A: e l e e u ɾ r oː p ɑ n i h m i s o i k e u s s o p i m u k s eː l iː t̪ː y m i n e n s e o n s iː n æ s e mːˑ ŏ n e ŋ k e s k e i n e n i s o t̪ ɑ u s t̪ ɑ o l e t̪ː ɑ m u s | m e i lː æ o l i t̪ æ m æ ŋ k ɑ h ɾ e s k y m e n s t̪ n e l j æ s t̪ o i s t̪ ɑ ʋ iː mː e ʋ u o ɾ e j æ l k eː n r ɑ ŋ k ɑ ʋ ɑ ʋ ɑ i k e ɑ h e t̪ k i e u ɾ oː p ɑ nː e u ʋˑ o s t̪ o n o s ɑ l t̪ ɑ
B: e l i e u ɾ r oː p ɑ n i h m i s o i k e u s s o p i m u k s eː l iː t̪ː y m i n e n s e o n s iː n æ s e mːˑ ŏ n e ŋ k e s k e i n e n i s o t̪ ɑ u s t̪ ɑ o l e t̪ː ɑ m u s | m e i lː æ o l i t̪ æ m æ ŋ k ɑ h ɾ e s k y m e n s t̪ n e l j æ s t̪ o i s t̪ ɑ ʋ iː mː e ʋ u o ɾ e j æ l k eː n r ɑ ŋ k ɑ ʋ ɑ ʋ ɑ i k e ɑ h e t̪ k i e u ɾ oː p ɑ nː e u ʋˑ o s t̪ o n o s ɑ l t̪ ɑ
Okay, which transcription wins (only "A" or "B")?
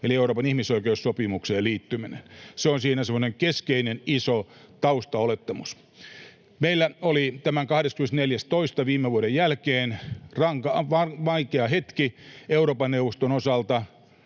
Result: B